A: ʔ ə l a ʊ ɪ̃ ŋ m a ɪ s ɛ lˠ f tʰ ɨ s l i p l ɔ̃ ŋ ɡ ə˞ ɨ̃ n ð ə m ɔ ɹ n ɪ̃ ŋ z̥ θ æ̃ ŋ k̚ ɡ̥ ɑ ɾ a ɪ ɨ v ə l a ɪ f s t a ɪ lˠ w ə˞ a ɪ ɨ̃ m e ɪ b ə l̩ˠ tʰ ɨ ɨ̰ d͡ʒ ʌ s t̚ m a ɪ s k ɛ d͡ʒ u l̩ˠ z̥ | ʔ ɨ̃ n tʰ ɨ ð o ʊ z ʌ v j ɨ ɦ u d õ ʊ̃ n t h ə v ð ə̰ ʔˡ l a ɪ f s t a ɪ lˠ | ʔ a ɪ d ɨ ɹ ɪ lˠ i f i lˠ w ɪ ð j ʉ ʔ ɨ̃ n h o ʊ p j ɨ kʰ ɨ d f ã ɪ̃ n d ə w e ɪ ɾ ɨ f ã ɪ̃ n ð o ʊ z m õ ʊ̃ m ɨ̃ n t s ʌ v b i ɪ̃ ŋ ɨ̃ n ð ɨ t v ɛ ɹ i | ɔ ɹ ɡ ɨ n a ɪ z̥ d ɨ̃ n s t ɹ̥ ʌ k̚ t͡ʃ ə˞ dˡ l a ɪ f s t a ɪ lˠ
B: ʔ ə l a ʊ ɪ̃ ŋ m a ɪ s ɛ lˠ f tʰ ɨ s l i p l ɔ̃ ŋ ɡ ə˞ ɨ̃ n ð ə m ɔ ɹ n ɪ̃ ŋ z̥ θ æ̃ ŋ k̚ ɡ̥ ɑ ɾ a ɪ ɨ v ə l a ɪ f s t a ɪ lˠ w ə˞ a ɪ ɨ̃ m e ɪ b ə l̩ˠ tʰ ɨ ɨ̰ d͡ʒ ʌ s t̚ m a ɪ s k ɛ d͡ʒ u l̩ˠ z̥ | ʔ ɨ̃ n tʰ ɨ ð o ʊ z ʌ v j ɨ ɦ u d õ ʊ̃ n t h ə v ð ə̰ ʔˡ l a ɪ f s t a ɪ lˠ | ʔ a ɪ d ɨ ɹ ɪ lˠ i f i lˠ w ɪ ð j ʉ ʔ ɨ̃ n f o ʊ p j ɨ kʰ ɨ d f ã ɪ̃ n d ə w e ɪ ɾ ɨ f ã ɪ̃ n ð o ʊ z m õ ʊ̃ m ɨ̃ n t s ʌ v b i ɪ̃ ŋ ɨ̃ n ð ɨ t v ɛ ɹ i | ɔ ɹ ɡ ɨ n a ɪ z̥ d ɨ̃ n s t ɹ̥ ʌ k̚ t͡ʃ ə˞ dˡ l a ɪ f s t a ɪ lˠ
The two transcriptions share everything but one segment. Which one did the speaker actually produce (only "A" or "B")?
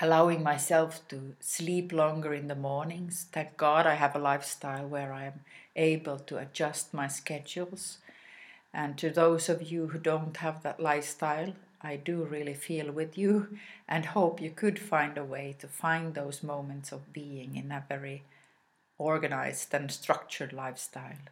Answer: A